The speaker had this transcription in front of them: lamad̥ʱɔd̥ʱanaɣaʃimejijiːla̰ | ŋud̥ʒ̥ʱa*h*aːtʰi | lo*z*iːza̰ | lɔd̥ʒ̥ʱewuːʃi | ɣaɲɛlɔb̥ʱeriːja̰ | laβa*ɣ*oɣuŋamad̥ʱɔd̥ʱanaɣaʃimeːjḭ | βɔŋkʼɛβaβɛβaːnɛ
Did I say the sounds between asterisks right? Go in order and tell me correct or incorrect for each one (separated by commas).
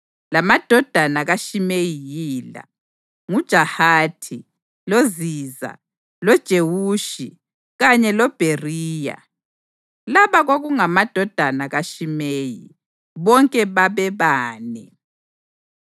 correct, correct, correct